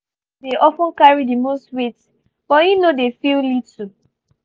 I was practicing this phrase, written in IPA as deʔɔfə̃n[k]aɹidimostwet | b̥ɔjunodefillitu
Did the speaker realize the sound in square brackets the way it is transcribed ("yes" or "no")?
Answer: yes